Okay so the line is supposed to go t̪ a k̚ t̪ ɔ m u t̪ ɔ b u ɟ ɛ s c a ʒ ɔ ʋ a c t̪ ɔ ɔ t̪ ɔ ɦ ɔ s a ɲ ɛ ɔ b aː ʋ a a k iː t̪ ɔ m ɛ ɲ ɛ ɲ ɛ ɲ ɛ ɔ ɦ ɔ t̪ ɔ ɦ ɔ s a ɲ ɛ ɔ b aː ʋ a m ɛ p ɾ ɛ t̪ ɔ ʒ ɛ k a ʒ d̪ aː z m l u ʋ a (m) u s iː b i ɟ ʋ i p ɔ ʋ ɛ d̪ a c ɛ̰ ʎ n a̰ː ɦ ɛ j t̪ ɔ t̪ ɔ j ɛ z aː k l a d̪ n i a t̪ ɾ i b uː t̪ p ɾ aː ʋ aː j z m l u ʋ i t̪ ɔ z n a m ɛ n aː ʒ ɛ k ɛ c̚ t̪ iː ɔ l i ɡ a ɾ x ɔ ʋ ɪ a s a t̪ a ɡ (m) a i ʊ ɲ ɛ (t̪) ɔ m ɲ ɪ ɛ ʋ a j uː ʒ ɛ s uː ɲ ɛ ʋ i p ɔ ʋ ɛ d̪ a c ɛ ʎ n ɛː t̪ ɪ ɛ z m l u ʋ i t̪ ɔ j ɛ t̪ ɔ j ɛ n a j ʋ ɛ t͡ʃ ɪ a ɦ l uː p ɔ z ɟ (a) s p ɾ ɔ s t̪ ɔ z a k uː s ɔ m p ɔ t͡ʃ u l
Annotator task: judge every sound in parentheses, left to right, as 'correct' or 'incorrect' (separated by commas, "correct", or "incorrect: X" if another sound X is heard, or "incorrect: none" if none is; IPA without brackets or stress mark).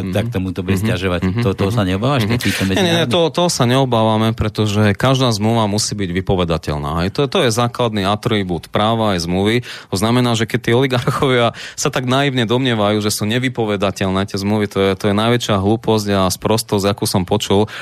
correct, incorrect: n, incorrect: d̪, correct